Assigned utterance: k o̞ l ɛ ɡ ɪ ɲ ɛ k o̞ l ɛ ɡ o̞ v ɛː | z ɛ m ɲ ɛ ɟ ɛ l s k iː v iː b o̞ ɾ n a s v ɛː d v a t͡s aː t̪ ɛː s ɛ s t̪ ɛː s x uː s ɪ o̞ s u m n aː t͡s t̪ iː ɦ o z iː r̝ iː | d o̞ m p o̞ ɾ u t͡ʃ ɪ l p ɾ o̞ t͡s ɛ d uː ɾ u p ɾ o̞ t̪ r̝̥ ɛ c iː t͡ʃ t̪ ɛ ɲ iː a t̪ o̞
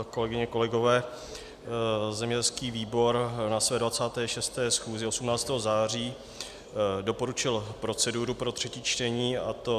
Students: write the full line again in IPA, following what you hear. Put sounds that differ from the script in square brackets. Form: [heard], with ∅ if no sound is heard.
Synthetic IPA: k o̞ l ɛ ɡ ɪ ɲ ɛ k o̞ l ɛ ɡ o̞ v ɛː | z ɛ m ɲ ɛ ɟ ɛ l s k iː v iː b o̞ ɾ n a s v ɛː d v a t͡s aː t̪ ɛː [ʃ] ɛ s t̪ ɛː s x uː [z] ɪ o̞ s u m n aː t͡s t̪ [ɛː] ɦ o z [aː] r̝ iː | d o̞ [∅] p o̞ ɾ u t͡ʃ ɪ l p ɾ o̞ t͡s ɛ d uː ɾ u p ɾ o̞ t̪ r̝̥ ɛ c iː t͡ʃ t̪ ɛ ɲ iː a t̪ o̞